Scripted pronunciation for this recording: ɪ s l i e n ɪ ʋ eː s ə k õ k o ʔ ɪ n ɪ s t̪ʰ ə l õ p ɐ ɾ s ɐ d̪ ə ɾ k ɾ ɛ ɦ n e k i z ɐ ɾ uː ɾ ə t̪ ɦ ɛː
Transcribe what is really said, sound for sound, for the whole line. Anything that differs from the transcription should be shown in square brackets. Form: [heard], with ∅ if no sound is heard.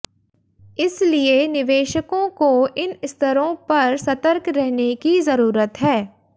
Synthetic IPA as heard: ɪ s l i e n ɪ ʋ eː [ʃ] ə k õ k o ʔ ɪ n ɪ s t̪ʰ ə [ɾ] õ p ɐ ɾ s ɐ [t̪] ə ɾ k ɾ ɛ ɦ n e k i z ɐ ɾ uː ɾ ə t̪ ɦ ɛː